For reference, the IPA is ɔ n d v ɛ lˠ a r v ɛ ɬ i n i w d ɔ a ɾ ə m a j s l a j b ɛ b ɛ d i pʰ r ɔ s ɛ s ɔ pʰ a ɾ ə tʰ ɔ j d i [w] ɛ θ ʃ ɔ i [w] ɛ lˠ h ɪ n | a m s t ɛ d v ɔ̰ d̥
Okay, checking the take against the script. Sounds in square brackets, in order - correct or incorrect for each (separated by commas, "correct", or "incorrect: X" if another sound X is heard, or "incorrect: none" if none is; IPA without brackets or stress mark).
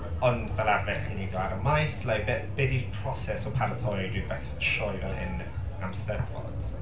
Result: incorrect: b, incorrect: v